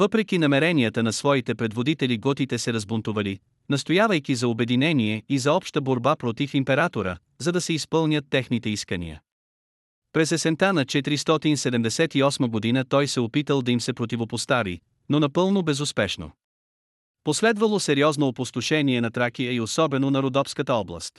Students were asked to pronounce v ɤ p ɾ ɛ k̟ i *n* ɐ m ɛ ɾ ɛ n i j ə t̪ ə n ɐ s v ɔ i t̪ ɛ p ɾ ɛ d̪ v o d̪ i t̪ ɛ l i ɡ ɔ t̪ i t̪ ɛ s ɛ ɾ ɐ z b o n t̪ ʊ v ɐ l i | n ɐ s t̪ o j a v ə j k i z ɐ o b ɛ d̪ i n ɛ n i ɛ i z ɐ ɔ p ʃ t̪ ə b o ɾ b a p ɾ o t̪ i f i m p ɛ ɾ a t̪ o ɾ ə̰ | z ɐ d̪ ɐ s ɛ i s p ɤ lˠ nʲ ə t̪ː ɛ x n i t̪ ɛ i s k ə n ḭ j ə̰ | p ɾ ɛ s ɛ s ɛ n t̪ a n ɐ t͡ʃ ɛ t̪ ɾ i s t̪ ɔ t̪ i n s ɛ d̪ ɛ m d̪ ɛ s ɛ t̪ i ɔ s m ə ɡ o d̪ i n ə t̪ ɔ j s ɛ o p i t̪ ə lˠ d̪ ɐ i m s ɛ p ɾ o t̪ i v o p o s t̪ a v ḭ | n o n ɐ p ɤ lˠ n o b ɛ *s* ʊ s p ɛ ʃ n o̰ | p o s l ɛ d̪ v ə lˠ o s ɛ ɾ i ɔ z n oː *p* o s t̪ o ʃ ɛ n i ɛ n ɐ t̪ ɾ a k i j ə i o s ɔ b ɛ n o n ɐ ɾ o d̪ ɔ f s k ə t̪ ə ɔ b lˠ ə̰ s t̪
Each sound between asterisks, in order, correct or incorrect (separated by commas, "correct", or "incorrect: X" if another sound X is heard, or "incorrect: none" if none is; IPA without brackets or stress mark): correct, incorrect: z, correct